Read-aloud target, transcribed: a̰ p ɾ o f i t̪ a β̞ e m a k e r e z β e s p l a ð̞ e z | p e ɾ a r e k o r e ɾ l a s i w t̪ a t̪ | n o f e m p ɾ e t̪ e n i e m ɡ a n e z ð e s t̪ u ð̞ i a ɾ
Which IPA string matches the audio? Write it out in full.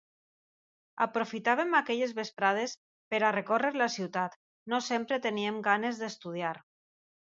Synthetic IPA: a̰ p ɾ o f i t̪ a β̞ e m a k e ʎ e z β e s p ɾ a ð̞ e s | p e ɾ a r e k o r e ɾ l a s i w t̪ a t̪ | n o s e m p ɾ e t̪ e n i e m ɡ a n e z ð e s t̪ u ð̞ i a ɾ